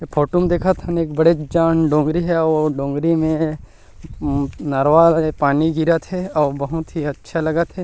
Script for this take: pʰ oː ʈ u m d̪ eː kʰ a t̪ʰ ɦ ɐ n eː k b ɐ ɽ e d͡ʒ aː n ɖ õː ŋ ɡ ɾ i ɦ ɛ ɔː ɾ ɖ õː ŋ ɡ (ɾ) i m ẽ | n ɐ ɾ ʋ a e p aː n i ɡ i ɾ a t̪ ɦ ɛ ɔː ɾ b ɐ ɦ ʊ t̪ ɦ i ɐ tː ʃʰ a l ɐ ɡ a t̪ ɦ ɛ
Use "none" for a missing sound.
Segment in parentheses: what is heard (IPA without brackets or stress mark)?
ɾ